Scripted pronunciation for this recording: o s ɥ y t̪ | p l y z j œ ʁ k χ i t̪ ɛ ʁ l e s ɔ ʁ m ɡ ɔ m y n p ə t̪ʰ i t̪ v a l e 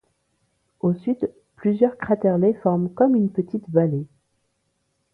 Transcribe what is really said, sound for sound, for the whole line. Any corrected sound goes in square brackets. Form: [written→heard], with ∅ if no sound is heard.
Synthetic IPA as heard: o s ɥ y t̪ | p l y z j œ ʁ k χ [i→a] t̪ ɛ ʁ l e [s→f] ɔ ʁ m [ɡ→k] ɔ m y n p ə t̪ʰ i t̪ v a l e